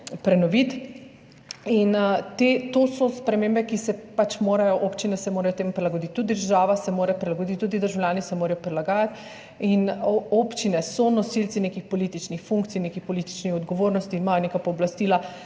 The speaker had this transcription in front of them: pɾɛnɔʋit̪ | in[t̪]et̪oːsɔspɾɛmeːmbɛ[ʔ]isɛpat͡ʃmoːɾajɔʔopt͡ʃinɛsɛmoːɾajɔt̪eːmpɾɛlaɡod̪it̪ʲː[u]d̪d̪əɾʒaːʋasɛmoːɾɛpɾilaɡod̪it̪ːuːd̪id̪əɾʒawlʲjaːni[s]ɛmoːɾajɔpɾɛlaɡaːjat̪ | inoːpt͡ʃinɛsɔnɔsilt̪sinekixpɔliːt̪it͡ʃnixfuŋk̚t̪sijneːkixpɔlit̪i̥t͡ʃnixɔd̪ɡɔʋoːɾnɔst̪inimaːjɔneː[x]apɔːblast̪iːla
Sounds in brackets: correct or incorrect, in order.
correct, incorrect: k, correct, correct, incorrect: k

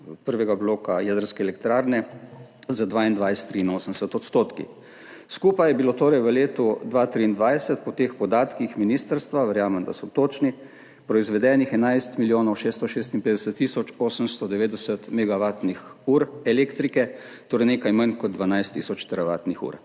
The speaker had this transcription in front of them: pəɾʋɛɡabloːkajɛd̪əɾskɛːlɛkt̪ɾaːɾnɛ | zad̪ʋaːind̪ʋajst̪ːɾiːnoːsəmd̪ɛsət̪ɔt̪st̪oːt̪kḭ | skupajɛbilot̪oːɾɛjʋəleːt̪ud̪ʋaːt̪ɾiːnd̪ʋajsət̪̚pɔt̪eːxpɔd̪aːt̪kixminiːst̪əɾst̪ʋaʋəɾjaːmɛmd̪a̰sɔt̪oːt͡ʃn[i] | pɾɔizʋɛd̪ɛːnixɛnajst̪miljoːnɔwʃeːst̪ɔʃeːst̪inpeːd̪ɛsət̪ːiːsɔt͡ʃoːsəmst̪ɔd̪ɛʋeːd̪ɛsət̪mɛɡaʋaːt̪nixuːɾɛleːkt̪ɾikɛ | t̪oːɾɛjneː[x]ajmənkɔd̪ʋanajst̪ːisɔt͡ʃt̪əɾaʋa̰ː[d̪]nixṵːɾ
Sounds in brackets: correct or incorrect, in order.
correct, incorrect: k, incorrect: t̪

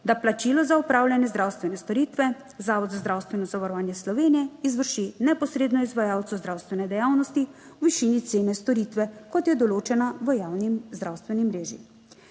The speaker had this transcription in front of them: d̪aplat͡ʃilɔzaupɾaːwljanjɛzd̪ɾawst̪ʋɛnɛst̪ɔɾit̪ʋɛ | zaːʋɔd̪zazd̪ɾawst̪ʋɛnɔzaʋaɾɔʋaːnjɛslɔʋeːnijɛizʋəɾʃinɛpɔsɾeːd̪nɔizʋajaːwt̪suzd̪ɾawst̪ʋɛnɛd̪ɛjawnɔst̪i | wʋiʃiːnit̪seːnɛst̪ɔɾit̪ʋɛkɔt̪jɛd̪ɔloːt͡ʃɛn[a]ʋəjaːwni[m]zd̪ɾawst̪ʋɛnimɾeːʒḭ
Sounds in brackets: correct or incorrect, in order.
correct, correct

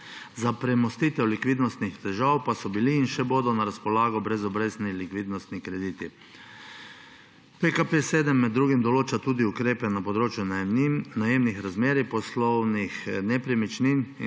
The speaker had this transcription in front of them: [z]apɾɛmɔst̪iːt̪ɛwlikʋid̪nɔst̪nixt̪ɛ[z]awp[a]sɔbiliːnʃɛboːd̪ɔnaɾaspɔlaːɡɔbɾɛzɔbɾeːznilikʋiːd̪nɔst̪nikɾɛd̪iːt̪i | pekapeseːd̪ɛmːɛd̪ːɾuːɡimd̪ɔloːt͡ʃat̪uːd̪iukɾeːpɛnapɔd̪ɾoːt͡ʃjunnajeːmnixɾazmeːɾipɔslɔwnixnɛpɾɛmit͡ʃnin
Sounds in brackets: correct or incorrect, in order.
correct, incorrect: ʒ, correct

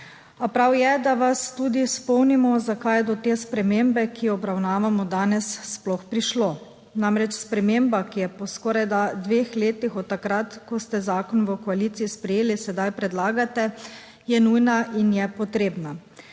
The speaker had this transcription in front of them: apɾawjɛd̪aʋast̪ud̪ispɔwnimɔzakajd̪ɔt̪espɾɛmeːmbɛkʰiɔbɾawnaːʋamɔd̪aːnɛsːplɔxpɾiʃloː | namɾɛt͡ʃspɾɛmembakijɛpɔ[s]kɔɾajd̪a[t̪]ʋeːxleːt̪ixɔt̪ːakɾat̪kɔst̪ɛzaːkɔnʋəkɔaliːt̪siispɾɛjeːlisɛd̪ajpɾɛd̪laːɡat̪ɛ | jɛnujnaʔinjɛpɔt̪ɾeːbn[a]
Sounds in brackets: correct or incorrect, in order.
correct, incorrect: d̪, correct

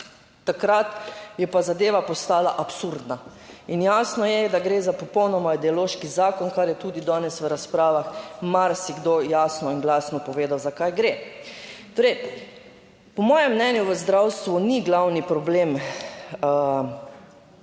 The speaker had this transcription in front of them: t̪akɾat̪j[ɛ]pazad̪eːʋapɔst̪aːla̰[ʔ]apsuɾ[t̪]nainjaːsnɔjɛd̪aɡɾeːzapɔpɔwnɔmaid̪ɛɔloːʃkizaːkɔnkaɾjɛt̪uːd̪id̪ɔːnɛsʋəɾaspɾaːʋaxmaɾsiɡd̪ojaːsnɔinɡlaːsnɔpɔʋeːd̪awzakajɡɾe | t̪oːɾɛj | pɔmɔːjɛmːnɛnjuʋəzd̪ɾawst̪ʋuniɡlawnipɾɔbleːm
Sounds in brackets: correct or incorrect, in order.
correct, correct, incorrect: d̪

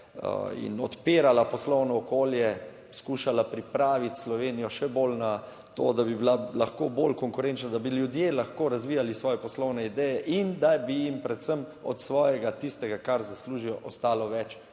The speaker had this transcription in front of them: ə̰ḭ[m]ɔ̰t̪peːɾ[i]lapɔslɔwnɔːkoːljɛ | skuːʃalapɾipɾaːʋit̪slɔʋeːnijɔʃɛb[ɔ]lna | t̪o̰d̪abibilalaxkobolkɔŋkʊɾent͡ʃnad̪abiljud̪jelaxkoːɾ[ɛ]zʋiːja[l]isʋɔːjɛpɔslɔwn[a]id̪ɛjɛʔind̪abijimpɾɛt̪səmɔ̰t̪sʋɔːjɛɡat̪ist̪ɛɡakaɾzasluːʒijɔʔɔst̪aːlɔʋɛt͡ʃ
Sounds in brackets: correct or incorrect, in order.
incorrect: n, incorrect: a, incorrect: o, incorrect: a, correct, incorrect: ɛ

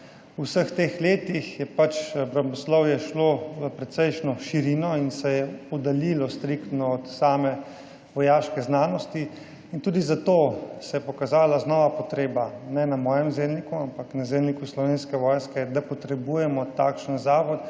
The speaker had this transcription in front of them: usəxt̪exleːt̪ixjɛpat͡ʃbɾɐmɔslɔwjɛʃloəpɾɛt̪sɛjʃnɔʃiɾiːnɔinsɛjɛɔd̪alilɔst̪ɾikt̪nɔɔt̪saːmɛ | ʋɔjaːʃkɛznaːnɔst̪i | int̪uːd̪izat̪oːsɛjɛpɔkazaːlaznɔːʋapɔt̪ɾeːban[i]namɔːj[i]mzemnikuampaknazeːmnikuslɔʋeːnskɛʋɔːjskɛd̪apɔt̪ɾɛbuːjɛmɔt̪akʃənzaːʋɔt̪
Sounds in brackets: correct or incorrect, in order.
incorrect: ɛ, incorrect: ɛ

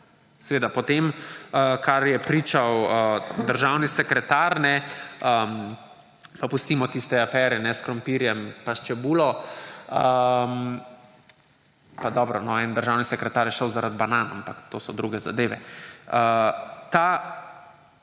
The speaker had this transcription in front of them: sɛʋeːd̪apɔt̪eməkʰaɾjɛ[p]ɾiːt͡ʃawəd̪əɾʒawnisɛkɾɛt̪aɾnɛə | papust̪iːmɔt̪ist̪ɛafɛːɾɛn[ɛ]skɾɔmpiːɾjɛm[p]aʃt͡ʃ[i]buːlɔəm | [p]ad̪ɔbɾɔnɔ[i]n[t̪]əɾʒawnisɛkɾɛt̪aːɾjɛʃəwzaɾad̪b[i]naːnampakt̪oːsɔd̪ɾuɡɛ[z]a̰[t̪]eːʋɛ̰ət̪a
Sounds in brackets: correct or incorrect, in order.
correct, correct, correct, incorrect: ɛ, correct, incorrect: ɛ, incorrect: d̪, incorrect: a, correct, incorrect: d̪

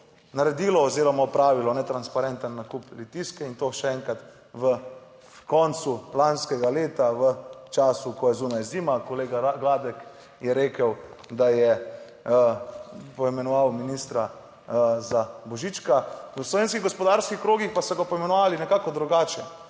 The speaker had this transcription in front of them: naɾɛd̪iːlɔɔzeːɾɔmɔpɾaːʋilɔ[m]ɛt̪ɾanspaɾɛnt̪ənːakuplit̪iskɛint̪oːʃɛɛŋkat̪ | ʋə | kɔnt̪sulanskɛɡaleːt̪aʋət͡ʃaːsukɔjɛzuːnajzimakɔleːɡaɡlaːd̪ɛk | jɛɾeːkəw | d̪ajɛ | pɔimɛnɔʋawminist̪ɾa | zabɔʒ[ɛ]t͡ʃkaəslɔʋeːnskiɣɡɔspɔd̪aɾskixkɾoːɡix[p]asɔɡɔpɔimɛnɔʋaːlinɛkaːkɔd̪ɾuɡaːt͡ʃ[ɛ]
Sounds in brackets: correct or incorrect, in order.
incorrect: n, incorrect: i, correct, correct

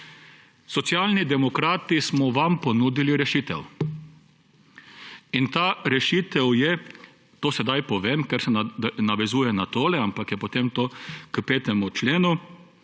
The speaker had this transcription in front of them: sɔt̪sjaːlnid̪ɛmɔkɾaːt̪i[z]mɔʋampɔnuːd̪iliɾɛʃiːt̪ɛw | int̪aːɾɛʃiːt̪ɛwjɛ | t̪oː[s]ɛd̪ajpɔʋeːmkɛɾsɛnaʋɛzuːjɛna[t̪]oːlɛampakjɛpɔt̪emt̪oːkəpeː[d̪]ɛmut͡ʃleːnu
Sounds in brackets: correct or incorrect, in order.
incorrect: s, correct, correct, incorrect: t̪

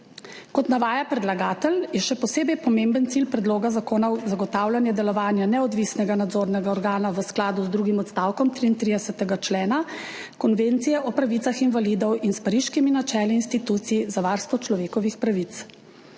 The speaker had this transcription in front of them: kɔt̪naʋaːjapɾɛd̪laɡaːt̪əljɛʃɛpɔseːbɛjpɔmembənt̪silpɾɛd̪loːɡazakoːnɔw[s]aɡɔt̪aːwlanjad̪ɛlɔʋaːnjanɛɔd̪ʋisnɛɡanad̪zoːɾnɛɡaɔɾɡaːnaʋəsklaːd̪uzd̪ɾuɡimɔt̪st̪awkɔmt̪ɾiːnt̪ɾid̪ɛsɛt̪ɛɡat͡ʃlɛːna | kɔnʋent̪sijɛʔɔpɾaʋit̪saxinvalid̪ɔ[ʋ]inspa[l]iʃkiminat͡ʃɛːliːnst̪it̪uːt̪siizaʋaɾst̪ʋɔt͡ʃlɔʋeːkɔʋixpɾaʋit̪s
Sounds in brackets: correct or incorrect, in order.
incorrect: z, incorrect: w, incorrect: ɾ

